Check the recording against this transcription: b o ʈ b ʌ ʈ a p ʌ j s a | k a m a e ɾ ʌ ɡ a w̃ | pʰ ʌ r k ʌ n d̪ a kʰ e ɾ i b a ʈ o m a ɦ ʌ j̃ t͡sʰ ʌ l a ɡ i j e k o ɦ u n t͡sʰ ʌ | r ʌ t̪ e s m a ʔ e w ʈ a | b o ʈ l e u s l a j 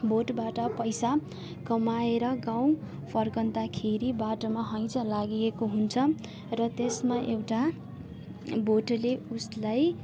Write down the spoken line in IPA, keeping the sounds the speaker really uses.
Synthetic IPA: b o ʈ b a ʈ ʌ p ʌ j s a | k ʌ m a e ɾ ʌ ɡ a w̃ | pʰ ʌ r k ʌ n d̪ a kʰ e ɾ i b a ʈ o m a ɦ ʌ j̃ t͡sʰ ʌ l a ɡ i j e k o ɦ u n t͡sʰ ʌ | r ʌ t̪ e s m a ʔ e w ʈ a | b o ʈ l e u s l a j